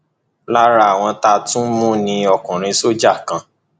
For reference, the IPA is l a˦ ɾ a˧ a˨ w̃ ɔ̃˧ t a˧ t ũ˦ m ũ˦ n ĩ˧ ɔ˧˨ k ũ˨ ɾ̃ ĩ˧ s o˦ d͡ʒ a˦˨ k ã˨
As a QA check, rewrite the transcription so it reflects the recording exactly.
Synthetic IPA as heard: l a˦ ɾ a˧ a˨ w̃ ɔ̃˧ t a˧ t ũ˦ m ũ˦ n ĩ˧ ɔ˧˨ k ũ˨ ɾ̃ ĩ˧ s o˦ d͡ʒ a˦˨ k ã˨